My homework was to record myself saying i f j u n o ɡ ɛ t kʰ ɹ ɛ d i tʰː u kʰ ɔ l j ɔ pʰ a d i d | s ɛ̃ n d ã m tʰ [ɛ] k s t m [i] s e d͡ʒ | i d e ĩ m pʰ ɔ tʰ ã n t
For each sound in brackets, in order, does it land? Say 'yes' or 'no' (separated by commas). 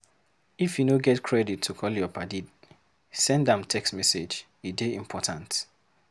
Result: yes, no